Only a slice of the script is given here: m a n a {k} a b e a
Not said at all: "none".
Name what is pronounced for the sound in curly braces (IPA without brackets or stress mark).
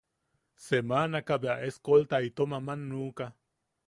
k